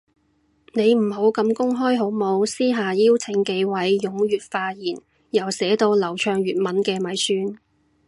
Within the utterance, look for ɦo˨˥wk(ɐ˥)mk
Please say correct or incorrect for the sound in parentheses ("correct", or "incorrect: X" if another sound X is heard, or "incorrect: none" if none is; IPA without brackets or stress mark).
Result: incorrect: ɐ˧